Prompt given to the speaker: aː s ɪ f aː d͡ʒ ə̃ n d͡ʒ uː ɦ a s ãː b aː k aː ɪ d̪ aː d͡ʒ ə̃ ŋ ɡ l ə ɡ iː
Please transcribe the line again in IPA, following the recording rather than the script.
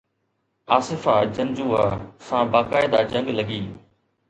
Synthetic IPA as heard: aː s ɪ f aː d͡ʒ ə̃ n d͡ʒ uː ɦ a s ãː b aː k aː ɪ d̪ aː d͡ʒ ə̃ ŋ ɡ l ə ɡ iː